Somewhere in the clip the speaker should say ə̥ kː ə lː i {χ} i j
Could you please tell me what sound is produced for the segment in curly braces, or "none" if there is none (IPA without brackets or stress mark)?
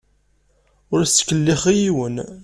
χ